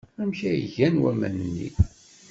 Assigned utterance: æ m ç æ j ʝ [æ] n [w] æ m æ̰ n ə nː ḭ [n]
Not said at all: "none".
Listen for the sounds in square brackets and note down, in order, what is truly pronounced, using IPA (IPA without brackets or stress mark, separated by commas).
æ, w, none